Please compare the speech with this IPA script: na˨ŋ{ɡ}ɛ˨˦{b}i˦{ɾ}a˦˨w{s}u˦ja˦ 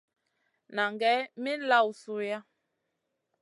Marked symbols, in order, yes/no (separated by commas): yes, no, no, yes